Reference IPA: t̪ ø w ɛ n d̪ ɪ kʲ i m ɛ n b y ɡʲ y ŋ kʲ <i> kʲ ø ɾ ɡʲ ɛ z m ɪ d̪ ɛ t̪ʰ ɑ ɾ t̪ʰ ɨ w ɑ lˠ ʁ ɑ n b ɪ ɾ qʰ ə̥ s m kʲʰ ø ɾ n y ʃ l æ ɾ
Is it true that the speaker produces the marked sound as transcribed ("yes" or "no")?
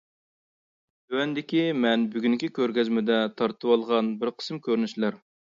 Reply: yes